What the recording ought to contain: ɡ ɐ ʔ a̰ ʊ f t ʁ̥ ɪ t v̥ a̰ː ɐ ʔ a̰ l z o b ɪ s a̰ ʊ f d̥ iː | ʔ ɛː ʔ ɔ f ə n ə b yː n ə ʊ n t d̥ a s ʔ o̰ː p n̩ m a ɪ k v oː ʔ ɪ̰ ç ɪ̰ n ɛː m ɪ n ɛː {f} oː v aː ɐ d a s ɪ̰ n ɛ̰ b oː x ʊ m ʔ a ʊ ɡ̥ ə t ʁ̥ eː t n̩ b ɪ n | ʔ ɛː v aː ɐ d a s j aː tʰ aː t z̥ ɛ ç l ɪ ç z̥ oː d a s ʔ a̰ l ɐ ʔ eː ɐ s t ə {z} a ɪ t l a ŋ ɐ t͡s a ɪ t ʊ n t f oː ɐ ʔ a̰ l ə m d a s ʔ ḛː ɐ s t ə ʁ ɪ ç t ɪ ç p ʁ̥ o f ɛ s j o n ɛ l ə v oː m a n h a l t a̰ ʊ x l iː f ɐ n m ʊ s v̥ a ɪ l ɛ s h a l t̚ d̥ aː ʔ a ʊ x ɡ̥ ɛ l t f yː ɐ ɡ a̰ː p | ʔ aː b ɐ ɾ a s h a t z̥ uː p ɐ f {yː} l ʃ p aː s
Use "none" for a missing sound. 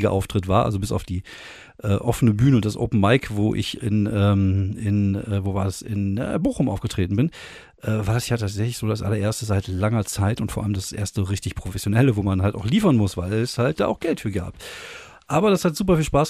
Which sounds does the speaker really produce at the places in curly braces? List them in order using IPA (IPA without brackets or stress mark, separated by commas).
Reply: v, z, iː